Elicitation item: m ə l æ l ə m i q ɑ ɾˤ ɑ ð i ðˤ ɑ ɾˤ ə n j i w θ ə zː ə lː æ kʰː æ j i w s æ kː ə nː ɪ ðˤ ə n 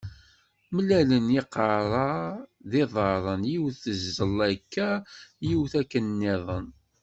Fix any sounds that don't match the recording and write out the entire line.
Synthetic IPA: m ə l æ l ə n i q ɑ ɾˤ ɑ ð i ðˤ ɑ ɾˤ ə n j i w θ ə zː ə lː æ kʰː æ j i w θ æ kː ə nː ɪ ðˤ ə n